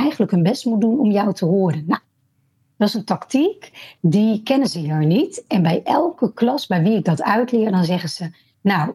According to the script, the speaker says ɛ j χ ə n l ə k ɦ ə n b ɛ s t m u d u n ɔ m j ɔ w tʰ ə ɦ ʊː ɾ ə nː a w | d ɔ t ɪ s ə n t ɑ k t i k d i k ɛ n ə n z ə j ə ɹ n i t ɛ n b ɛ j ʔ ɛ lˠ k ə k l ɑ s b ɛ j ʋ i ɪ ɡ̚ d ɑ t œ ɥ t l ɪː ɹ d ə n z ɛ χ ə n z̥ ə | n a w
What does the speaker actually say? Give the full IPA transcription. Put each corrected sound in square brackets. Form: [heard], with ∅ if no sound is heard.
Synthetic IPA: ɛ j χ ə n l ə k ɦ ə n b ɛ s t m u d u n ɔ m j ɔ w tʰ ə ɦ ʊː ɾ ə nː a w | d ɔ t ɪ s ə n t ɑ k t i k d i k ɛ n ə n z ə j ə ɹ n i t ɛ n b ɛ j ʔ ɛ lˠ k ə k l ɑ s b ɛ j ʋ i ɪ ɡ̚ d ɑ t œ ɥ t l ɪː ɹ d [ɑ] n z ɛ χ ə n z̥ ə | n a w